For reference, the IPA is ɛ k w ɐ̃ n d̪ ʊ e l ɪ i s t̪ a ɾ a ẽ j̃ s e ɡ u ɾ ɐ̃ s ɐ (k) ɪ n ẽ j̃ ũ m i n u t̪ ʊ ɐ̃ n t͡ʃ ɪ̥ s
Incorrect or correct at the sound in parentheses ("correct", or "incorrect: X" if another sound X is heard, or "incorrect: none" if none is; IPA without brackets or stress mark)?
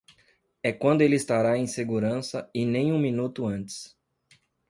incorrect: none